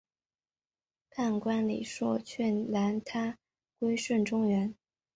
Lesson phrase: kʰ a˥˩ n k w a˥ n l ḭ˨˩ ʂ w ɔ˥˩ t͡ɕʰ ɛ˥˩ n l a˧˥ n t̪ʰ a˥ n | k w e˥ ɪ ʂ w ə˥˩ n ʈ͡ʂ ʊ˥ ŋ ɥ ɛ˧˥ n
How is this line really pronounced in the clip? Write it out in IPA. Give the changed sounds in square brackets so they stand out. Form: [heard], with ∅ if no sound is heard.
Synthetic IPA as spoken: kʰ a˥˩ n k w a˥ n l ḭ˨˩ ʂ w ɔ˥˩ t͡ɕʰ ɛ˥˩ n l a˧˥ n t̪ʰ a˥ [∅] | k w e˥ ɪ ʂ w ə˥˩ n ʈ͡ʂ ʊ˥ ŋ ɥ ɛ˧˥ n